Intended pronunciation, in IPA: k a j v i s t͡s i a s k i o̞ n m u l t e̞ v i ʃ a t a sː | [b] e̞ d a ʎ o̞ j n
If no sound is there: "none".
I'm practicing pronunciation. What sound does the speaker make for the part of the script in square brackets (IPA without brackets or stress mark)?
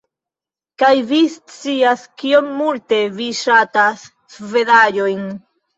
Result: v